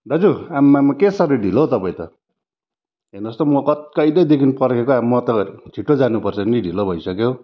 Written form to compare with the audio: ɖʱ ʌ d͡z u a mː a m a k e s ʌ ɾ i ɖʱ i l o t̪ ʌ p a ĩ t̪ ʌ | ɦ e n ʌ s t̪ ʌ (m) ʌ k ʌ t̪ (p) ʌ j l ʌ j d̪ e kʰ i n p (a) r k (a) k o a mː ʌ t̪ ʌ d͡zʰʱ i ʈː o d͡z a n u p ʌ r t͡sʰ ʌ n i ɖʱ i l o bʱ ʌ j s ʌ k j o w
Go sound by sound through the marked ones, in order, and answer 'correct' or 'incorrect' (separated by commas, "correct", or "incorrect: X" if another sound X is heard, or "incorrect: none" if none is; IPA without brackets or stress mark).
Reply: correct, incorrect: k, incorrect: ʌ, incorrect: e